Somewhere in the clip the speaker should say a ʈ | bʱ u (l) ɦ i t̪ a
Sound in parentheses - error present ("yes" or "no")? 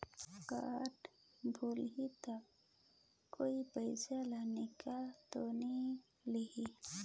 no